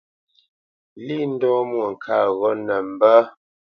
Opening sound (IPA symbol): l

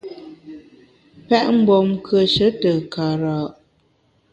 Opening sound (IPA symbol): p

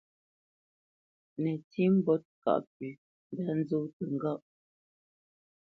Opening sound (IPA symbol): n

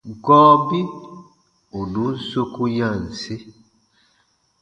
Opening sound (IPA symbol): ɡ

